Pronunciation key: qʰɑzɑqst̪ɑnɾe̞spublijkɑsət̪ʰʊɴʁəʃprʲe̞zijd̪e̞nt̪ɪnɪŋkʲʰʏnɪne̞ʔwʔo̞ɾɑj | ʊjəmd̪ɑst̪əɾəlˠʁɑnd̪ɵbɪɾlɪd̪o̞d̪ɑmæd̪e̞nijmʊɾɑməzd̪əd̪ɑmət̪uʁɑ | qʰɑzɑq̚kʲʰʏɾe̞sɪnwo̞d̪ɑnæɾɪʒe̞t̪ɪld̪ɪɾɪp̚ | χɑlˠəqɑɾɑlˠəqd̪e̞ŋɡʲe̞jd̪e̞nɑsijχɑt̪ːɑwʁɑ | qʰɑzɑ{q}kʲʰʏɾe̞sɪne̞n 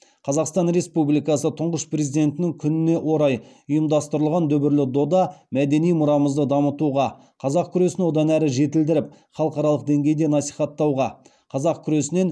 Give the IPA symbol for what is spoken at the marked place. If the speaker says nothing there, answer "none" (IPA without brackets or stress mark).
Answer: q